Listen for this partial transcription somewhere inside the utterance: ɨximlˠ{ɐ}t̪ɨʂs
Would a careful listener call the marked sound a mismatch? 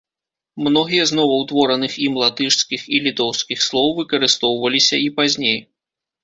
yes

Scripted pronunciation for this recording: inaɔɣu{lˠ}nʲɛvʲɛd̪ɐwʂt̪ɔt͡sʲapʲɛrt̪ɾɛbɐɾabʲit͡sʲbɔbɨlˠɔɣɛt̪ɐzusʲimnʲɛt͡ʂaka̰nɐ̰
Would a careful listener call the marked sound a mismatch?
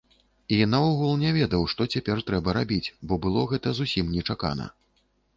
no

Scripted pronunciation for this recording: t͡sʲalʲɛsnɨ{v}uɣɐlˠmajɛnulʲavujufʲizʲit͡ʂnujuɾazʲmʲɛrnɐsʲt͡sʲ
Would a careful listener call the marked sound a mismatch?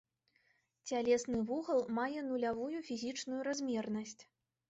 no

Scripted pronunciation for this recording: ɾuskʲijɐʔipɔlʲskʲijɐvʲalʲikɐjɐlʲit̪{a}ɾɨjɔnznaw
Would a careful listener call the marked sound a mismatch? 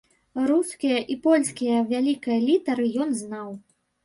yes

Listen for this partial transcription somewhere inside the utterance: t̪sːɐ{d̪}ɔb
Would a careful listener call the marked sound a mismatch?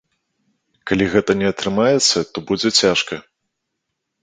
yes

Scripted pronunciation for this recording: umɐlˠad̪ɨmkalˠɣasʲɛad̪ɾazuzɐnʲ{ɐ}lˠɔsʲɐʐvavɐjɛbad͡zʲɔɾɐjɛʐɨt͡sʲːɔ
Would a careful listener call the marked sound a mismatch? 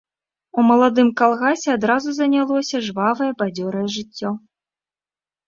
yes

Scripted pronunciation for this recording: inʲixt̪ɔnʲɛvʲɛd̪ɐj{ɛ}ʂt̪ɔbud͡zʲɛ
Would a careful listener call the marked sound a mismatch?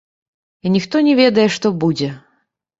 no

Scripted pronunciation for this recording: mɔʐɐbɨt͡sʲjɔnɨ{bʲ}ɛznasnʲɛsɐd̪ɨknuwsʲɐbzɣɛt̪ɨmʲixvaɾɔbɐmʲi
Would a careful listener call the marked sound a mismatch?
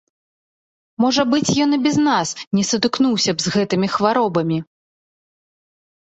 no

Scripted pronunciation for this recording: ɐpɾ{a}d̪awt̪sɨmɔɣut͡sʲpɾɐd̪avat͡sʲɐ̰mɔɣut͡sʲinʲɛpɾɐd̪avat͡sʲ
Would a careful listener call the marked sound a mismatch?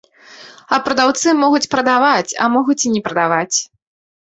yes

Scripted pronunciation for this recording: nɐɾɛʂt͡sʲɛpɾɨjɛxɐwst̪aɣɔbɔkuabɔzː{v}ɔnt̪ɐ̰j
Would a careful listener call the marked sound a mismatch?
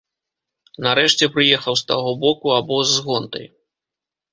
yes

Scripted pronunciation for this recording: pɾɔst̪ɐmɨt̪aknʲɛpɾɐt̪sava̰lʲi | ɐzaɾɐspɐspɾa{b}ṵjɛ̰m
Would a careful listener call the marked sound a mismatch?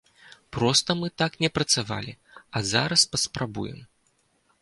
no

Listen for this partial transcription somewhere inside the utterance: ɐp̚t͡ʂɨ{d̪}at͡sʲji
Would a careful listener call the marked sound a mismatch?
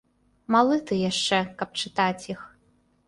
yes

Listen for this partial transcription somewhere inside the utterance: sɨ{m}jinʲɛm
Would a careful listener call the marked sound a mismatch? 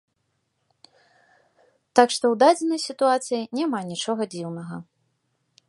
yes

